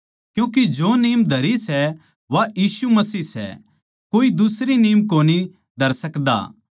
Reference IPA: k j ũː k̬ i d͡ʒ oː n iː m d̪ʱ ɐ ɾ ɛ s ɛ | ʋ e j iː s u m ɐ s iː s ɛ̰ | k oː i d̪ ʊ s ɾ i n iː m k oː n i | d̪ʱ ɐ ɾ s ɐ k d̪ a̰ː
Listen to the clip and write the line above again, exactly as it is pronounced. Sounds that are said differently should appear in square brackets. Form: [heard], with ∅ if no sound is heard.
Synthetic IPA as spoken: k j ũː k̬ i d͡ʒ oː n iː m d̪ʱ ɐ ɾ [i] s ɛ | ʋ [a] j iː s u m ɐ s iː s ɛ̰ | k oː i d̪ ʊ s ɾ i n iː m k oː n i | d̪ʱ ɐ ɾ s ɐ k d̪ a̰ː